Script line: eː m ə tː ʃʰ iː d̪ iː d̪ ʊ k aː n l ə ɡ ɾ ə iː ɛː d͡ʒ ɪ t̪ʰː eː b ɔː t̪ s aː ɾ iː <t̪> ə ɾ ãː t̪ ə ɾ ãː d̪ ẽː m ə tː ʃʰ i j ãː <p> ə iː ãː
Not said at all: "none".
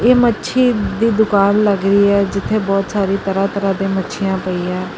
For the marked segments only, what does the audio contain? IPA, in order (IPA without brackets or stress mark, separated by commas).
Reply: t̪, p